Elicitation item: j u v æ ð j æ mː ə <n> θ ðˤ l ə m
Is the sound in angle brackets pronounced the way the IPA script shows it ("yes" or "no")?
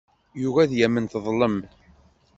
yes